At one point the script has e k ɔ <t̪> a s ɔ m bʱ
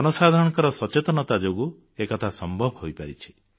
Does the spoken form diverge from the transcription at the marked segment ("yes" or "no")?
yes